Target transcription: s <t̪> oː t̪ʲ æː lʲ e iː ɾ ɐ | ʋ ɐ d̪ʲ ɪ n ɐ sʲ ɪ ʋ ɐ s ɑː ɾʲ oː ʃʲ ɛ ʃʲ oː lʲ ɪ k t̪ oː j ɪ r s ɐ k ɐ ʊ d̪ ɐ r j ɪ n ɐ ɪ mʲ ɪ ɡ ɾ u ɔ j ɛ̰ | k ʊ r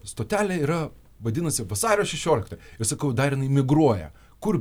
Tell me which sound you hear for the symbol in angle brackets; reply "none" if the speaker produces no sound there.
t̪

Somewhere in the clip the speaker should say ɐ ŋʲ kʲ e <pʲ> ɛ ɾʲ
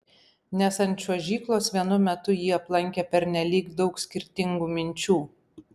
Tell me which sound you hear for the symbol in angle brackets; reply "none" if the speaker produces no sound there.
pʲ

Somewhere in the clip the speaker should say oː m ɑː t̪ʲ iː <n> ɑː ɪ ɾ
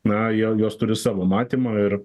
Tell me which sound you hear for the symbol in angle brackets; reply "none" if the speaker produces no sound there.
m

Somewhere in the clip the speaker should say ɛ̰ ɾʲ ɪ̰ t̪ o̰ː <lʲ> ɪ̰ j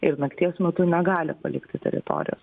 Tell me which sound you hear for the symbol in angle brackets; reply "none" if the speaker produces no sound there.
ɾʲ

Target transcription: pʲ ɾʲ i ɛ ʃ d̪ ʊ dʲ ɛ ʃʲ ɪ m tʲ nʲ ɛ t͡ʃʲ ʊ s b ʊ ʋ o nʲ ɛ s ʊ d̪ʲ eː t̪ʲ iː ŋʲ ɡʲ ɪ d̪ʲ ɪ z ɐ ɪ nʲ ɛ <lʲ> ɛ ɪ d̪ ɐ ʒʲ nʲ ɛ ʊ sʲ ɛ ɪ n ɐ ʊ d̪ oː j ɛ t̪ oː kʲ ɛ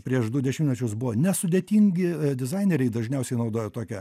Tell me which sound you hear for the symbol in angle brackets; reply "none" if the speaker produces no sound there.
ɾʲ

